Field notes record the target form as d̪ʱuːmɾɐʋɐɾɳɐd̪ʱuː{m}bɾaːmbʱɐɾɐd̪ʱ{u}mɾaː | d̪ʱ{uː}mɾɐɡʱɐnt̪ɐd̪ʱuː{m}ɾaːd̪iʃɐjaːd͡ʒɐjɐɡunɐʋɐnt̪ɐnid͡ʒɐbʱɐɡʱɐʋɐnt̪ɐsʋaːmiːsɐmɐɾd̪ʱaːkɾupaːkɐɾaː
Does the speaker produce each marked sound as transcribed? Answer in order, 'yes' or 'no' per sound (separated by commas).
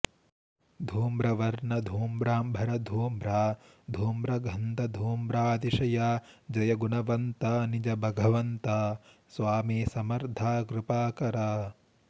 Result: yes, no, yes, yes